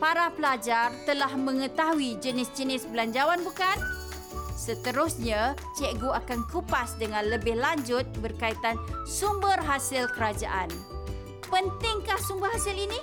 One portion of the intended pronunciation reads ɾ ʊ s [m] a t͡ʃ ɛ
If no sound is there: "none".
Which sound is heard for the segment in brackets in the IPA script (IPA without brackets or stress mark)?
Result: ɲ